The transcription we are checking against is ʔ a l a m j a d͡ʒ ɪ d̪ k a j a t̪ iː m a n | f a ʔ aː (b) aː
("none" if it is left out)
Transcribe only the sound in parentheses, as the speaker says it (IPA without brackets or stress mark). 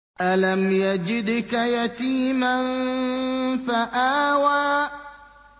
w